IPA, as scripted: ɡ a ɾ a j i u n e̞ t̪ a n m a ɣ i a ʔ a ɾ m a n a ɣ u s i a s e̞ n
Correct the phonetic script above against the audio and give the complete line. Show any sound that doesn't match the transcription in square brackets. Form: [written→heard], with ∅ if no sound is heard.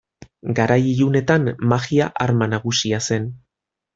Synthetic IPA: ɡ a ɾ a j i u n e̞ t̪ a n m a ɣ i a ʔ a ɾ m a n a ɣ u s i a s e̞ n

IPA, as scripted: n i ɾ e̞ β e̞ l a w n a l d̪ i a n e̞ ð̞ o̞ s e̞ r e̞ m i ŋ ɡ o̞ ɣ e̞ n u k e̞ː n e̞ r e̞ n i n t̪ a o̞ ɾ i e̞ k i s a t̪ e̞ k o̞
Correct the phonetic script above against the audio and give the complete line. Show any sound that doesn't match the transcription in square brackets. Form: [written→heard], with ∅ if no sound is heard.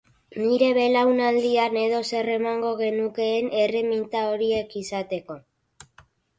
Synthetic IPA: n i ɾ e̞ β e̞ l a w n a l d̪ i a n e̞ ð̞ o̞ s e̞ r e̞ m [i→a] ŋ ɡ o̞ ɣ e̞ n u k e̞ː n e̞ r e̞ [n→m] i n t̪ a o̞ ɾ i e̞ k i s a t̪ e̞ k o̞

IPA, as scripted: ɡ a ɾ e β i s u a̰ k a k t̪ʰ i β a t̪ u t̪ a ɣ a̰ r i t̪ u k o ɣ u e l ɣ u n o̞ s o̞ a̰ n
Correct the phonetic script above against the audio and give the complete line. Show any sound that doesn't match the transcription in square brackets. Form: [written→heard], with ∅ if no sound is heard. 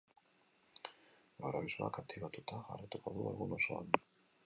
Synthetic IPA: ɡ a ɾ [e→a] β i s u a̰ k a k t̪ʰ i β a t̪ u t̪ a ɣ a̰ r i t̪ u k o [ɣ→ð] u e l ɣ u n o̞ s o̞ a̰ n

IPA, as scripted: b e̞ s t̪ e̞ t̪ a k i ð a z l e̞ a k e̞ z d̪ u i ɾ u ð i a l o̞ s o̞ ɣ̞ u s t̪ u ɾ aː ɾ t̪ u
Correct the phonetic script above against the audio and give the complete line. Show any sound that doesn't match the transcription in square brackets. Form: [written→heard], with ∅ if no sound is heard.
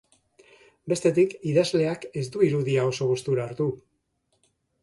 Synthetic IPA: b e̞ s t̪ e̞ t̪ [a→i] k i ð a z l e̞ a k e̞ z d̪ u i ɾ u ð i a [l→∅] o̞ s o̞ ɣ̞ u s t̪ u ɾ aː ɾ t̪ u

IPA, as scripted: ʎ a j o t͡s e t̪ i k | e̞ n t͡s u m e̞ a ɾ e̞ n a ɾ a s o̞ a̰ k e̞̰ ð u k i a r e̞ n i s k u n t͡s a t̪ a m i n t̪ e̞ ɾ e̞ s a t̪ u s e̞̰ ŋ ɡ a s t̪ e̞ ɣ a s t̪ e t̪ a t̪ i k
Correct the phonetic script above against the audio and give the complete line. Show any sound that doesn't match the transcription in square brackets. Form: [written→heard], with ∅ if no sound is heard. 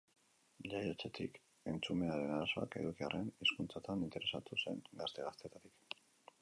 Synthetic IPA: ʎ a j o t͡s e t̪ i k | e̞ n t͡s u m e̞ a ɾ e̞ n a ɾ a s o̞ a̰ k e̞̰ ð u k i a r e̞ n i s k u n t͡s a t̪ a [m→n] i n t̪ e̞ ɾ e̞ s a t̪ u s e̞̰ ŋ ɡ a s t̪ e̞ ɣ a s t̪ e t̪ a t̪ i k

